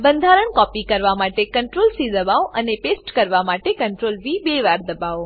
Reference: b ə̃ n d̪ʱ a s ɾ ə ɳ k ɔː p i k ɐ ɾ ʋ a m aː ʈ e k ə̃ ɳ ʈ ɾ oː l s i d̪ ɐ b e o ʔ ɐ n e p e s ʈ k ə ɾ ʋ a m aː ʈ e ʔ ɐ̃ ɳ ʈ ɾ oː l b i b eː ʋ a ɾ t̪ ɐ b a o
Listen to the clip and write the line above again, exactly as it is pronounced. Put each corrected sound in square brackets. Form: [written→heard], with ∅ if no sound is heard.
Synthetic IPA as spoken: b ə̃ n d̪ʱ a [s→∅] ɾ ə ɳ k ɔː p i k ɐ ɾ ʋ a m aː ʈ e k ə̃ ɳ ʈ ɾ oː l s i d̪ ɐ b [e→a] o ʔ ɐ n e p e s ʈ k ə ɾ ʋ a m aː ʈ e [ʔ→k] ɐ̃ ɳ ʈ ɾ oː l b i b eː ʋ a ɾ [t̪→d̪] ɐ b a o

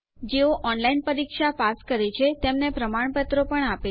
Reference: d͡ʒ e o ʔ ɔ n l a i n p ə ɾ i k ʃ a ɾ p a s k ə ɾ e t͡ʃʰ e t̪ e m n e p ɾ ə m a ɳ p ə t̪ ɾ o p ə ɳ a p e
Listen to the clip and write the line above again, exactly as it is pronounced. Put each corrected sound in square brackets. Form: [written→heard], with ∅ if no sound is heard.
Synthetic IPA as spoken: d͡ʒ e o ʔ ɔ n l a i n p ə ɾ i k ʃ a [ɾ→∅] p a s k ə ɾ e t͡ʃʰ e t̪ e m n e p ɾ ə m a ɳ p ə t̪ ɾ o p ə ɳ a p e

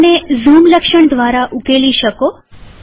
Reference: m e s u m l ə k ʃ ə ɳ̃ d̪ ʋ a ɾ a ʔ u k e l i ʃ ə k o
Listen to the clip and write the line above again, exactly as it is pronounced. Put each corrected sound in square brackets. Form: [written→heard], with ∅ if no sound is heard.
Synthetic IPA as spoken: [m→n] e [s→z] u m l ə k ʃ ə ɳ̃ d̪ ʋ a ɾ a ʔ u k e l i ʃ ə k o

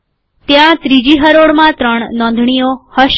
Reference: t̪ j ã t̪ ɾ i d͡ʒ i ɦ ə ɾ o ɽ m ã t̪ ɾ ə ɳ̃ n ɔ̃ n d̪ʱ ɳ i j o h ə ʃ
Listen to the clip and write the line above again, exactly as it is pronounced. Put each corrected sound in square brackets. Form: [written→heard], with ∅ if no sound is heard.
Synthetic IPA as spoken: t̪ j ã t̪ ɾ i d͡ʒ i ɦ ə ɾ o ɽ m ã t̪ ɾ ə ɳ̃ n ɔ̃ n d̪ʱ ɳ i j o h ə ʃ

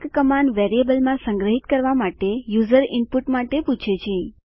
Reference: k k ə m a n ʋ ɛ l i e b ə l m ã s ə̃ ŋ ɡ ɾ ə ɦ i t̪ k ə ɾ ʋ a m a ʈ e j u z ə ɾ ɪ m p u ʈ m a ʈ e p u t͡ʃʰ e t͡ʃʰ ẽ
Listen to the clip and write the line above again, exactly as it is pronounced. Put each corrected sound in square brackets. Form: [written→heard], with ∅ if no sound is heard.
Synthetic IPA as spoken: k k ə m a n ʋ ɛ [l→ɾ] i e b ə l m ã s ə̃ ŋ ɡ ɾ ə ɦ i t̪ k ə ɾ ʋ a m a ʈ e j u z ə ɾ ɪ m p u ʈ m a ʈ e p u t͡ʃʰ e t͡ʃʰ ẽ

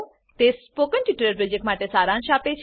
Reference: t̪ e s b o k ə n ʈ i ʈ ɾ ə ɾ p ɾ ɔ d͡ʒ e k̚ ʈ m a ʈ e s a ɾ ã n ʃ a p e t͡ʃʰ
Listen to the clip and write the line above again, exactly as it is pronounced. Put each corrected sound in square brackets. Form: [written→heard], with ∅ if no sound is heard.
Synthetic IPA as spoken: t̪ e s [b→p] o k ə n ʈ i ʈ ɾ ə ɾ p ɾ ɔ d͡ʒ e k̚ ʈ m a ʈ e s a ɾ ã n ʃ a p e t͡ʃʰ

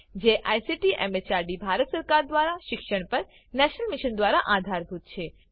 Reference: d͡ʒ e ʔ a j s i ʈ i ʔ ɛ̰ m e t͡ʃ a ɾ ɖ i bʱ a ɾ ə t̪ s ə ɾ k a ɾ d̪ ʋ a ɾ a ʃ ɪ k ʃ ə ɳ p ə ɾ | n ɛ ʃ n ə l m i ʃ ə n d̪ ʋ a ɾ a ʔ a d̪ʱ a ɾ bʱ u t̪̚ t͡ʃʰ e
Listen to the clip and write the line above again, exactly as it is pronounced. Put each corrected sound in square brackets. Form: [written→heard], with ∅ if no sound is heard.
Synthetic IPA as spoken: d͡ʒ e ʔ a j s i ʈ i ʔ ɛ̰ m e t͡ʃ a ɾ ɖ i bʱ a ɾ ə t̪ s ə ɾ k a ɾ d̪ ʋ a ɾ a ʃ ɪ k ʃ ə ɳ p ə ɾ | n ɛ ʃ n ə l m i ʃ ə n d̪ ʋ a ɾ a ʔ a d̪ʱ a ɾ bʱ u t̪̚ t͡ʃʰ e

